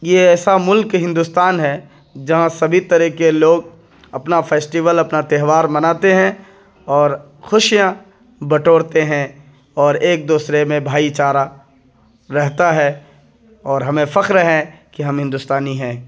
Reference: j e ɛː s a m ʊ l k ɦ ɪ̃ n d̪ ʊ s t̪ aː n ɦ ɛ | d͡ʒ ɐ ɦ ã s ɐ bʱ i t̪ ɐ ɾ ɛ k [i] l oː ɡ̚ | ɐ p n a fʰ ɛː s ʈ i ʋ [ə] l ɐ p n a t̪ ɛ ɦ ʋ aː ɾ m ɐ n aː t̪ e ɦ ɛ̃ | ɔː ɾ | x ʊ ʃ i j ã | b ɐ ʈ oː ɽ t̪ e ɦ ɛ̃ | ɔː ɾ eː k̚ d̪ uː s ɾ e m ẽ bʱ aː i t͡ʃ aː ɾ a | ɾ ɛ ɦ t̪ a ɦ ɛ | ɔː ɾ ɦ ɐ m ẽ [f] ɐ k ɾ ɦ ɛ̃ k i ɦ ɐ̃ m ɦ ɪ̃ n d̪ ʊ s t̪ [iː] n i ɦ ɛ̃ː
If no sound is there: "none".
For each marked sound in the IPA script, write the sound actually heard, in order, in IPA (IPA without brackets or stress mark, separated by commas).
e, ə, f, aː